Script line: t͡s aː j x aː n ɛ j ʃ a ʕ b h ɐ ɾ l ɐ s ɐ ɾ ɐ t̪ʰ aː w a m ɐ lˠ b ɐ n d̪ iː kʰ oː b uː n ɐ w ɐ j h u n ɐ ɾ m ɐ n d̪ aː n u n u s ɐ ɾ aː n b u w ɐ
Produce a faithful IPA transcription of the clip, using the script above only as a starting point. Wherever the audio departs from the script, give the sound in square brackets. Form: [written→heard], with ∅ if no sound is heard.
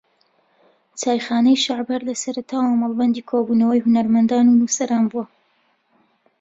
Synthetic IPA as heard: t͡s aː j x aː n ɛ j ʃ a ʕ b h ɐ ɾ l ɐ s ɐ ɾ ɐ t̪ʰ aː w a m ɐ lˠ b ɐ n d̪ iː kʰ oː b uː n ɐ w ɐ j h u n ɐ ɾ m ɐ n d̪ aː n u n u s ɐ ɾ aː n b u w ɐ